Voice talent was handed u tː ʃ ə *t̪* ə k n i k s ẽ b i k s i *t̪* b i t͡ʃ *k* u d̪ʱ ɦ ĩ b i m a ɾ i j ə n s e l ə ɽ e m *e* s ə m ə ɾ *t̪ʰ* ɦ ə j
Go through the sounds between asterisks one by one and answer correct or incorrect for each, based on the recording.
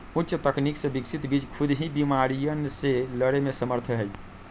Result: correct, correct, incorrect, correct, correct

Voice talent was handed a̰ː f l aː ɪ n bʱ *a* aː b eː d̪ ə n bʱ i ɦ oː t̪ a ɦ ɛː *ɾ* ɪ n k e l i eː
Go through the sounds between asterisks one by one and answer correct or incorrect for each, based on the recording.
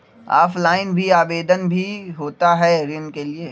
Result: incorrect, correct

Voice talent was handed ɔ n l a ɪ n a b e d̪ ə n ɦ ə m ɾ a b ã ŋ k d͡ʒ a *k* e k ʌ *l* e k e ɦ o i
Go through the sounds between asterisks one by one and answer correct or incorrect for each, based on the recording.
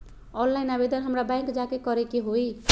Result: correct, incorrect

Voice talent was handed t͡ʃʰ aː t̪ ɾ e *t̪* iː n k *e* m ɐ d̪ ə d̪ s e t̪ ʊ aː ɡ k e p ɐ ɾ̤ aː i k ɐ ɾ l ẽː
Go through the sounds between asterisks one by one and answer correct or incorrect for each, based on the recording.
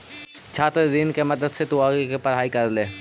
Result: incorrect, correct

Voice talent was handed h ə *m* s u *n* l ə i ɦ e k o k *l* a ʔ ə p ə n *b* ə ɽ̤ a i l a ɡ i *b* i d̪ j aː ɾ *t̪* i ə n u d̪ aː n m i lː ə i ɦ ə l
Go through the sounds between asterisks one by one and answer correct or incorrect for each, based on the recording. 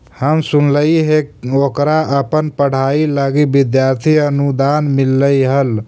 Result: correct, correct, incorrect, incorrect, correct, incorrect

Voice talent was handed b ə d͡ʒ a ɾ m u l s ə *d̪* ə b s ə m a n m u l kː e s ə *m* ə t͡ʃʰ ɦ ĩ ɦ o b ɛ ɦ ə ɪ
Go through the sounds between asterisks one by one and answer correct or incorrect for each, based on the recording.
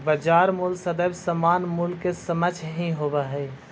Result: correct, correct

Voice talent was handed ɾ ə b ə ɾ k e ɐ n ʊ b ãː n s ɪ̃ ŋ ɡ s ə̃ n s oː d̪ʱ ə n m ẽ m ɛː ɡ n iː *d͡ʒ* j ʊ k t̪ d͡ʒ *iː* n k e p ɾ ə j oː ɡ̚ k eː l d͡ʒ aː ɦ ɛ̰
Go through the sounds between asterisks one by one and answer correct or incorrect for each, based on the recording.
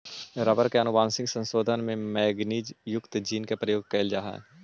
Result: correct, correct

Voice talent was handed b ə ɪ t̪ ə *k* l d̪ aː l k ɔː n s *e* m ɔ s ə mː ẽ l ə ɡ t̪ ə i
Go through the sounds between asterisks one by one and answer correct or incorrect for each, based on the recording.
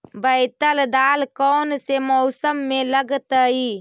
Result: incorrect, correct

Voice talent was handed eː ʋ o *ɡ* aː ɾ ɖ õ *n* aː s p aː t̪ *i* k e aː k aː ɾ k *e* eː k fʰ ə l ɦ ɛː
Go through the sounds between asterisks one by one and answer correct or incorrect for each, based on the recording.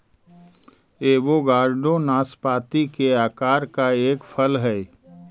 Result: correct, correct, correct, incorrect

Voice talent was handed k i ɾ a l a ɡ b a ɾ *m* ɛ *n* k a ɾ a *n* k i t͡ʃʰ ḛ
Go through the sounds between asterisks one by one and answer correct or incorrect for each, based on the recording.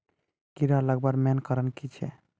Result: correct, correct, correct

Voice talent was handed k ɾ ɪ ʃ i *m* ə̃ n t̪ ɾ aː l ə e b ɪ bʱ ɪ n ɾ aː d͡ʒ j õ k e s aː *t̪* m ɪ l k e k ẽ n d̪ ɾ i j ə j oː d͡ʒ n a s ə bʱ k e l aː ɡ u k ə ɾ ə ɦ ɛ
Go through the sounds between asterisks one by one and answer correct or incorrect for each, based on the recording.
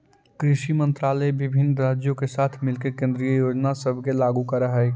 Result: correct, incorrect

